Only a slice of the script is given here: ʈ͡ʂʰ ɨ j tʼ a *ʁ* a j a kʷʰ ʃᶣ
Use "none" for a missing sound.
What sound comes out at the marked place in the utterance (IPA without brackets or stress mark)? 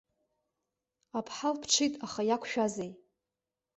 χ